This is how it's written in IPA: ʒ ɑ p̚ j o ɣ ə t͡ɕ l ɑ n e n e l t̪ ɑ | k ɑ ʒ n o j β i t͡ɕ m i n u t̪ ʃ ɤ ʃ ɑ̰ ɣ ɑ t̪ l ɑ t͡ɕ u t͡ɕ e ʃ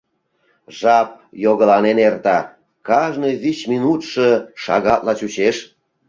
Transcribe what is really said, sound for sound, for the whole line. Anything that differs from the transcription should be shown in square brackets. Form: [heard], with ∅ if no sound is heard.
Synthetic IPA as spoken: ʒ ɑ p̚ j o ɣ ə [∅] l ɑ n e n e [r] t̪ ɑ | k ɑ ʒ n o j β i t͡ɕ m i n u t̪ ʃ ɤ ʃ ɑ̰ ɣ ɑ t̪ l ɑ t͡ɕ u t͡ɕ e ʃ